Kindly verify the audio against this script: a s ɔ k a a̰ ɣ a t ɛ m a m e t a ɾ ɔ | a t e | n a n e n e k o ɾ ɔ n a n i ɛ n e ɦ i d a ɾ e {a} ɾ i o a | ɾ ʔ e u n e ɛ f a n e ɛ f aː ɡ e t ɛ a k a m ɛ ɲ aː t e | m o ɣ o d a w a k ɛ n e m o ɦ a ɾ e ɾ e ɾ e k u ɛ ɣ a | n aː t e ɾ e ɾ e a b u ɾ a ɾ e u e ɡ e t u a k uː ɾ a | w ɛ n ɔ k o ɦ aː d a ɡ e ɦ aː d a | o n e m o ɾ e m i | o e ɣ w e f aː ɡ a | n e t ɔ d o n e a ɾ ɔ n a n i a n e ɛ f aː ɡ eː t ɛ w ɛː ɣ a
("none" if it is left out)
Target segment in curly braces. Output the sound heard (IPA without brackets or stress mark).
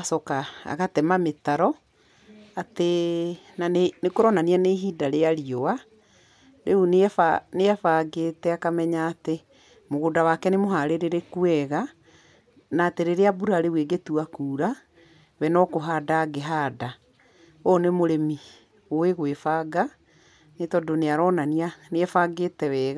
a